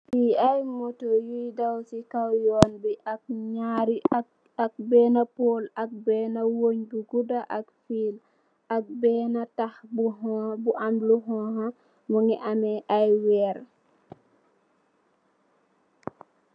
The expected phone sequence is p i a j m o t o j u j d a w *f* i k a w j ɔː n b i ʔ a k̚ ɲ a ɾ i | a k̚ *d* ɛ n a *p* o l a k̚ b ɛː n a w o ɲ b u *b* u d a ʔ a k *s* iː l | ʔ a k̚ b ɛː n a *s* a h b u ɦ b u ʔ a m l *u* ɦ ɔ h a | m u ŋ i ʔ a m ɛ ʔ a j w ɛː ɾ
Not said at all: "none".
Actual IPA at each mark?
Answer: s, b, p, ɡ, f, t, u

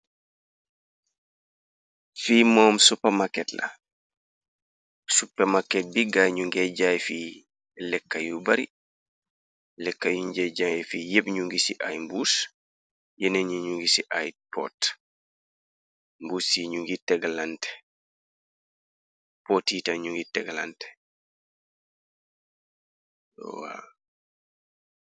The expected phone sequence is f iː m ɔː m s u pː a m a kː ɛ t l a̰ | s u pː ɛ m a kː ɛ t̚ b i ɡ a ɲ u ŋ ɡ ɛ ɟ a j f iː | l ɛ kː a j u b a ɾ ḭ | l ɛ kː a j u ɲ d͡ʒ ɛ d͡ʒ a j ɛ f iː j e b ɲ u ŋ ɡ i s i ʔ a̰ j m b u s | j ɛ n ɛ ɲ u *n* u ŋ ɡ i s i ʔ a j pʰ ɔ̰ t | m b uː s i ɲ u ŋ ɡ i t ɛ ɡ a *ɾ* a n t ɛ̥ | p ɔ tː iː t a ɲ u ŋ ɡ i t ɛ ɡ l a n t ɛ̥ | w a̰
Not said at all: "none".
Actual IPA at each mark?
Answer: ɲ, l

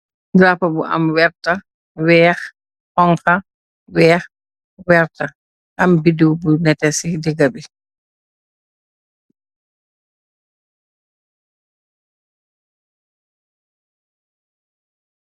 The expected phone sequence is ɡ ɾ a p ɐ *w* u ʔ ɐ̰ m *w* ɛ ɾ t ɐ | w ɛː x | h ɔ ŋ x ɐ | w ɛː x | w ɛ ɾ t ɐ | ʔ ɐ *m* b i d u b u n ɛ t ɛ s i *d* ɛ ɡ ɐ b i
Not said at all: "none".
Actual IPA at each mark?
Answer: b, w, m, d

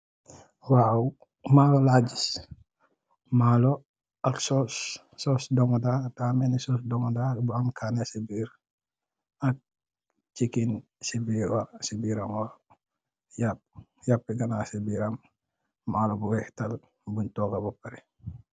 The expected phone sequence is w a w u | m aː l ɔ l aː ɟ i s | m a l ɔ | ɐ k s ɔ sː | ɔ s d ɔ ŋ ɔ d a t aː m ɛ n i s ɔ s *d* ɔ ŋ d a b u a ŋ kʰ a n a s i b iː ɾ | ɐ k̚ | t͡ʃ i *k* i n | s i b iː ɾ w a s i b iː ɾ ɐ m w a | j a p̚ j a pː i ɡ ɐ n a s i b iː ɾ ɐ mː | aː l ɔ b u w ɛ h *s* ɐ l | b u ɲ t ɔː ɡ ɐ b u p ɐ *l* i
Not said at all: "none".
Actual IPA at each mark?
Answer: d, k, t, ɾ

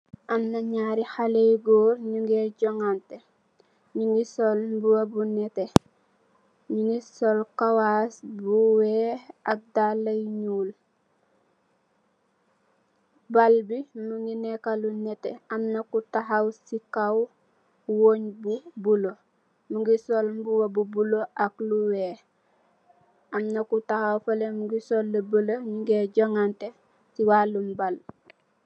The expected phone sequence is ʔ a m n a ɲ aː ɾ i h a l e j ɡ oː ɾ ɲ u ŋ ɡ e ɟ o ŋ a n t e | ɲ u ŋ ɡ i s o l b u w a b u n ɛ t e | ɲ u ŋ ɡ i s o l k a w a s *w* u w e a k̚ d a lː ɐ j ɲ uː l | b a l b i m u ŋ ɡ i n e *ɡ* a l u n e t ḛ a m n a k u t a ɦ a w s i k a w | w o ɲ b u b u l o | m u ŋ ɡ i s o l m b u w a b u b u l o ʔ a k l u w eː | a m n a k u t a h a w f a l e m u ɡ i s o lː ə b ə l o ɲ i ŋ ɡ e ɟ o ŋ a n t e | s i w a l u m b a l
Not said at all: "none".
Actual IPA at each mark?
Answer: b, k

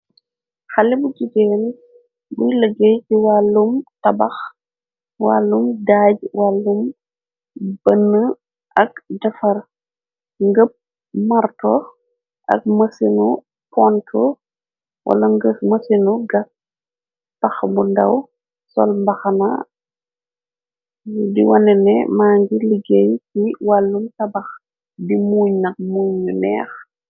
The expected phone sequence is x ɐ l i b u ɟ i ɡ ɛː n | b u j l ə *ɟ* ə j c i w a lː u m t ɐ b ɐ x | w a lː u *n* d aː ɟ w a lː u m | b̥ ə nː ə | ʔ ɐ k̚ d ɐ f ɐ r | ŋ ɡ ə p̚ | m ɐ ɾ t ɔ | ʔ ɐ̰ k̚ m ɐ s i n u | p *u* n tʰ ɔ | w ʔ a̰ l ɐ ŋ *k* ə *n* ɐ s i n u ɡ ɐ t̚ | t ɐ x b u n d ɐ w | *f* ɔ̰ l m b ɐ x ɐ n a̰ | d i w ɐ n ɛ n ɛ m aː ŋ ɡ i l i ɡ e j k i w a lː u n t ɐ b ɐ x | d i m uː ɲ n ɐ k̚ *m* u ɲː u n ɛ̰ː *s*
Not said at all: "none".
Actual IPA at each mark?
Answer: ɡ, m, ɔ, ɡ, m, s, m, x

